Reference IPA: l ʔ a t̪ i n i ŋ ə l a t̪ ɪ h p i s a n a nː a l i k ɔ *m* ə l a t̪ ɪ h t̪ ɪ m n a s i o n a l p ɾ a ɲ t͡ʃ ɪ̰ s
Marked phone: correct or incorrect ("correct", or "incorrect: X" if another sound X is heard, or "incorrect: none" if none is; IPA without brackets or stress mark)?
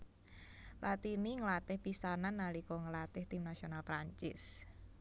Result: incorrect: ŋ